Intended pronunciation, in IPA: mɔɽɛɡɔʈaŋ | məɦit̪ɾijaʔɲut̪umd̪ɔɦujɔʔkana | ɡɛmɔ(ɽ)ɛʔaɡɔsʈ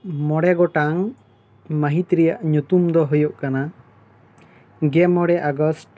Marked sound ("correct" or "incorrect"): correct